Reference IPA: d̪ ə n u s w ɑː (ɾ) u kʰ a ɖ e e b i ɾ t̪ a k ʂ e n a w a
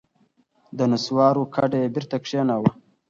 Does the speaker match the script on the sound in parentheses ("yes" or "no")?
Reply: yes